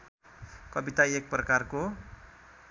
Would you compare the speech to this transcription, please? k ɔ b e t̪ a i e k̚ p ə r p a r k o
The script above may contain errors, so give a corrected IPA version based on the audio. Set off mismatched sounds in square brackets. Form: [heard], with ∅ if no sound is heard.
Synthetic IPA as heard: k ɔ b [i] t̪ a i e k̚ p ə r [k] a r k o